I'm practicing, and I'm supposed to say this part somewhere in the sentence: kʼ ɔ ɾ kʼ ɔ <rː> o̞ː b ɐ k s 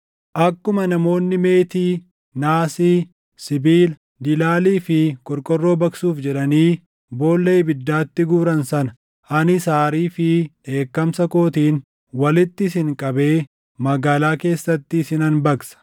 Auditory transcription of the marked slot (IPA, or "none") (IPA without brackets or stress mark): rː